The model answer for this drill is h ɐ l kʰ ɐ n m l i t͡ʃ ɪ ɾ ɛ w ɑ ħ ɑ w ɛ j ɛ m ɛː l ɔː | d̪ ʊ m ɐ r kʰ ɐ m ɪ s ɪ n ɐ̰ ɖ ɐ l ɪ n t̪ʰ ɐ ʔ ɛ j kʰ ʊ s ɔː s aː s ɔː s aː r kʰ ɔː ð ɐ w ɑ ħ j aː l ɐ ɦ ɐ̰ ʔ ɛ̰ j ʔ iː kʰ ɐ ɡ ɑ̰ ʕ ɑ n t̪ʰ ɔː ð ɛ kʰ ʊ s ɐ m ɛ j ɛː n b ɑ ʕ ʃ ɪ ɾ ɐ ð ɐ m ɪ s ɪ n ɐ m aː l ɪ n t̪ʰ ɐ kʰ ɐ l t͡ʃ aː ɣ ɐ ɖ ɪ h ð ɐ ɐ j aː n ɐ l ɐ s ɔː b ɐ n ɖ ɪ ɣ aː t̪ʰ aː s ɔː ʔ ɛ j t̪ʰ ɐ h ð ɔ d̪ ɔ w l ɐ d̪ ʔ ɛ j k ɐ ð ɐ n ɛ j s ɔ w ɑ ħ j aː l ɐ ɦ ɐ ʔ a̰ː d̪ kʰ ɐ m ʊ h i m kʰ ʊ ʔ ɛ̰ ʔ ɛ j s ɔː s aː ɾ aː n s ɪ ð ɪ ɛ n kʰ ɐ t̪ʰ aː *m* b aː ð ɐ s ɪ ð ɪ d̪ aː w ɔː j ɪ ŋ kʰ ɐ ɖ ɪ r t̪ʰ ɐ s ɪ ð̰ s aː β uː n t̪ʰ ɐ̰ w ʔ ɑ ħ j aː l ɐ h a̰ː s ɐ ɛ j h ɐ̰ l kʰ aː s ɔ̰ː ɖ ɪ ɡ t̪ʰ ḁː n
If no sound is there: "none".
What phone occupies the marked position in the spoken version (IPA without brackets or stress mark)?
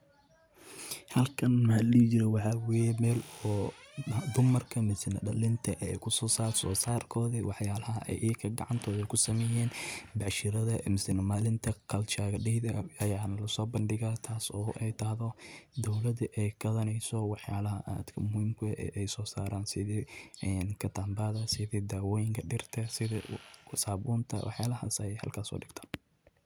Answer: m